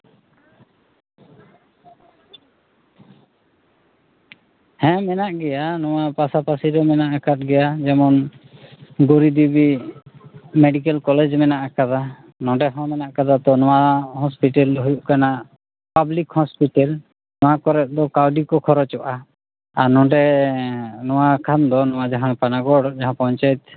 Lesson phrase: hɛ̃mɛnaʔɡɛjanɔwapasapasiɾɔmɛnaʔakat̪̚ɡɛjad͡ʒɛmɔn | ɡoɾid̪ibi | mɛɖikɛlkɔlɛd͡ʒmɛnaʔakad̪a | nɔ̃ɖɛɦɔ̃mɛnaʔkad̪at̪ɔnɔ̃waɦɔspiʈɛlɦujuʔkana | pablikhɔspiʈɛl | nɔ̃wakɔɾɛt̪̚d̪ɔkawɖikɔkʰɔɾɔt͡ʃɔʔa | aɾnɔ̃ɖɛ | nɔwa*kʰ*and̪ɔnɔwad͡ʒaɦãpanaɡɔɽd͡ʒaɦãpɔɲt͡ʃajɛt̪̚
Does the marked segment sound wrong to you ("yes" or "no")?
no